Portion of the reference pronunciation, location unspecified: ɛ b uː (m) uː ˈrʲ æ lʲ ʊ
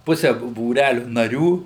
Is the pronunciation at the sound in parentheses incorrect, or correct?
incorrect